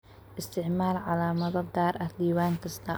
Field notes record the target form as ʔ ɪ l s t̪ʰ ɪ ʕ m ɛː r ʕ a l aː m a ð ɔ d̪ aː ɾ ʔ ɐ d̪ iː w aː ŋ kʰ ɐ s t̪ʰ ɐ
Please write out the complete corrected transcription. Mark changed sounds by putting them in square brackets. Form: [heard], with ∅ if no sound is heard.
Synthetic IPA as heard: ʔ ɪ [∅] s t̪ʰ ɪ ʕ m [aː] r ʕ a l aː m [ɐ] ð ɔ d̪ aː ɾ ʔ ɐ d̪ iː w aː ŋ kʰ ɐ s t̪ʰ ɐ

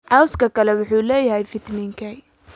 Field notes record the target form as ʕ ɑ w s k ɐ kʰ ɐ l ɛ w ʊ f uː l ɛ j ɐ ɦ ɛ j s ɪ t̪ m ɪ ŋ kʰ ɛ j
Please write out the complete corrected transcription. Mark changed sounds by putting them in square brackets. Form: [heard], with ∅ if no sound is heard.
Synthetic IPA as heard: ʕ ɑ w s k ɐ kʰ ɐ l ɛ w ʊ [ħ] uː l [ɛː] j ɐ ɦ ɛ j [f] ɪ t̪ m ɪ ŋ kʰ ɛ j

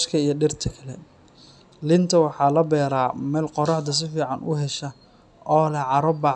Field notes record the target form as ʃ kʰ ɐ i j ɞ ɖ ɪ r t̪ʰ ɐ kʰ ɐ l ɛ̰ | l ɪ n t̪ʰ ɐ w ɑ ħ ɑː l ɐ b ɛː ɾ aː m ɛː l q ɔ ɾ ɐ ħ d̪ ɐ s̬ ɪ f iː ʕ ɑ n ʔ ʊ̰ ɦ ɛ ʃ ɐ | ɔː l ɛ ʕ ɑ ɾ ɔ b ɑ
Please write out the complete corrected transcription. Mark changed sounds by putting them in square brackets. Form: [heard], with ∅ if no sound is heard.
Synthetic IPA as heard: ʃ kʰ ɐ i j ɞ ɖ ɪ r t̪ʰ ɐ kʰ ɐ l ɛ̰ | l ɪ n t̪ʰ ɐ w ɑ ħ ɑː l ɐ b ɛː ɾ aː m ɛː l q ɔ ɾ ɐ ħ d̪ ɐ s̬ ɪ f iː ʕ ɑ n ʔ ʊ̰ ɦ ɛ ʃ ɐ | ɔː l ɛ ʕ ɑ ɾ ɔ b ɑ

